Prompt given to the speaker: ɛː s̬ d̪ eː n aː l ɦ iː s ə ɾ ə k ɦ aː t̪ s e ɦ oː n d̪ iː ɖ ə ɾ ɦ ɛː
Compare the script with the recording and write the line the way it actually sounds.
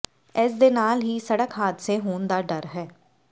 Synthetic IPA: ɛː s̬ d̪ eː n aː l ɦ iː s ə ɽ ə k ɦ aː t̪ s e ɦ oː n d̪ aː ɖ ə ɾ ɦ ɛː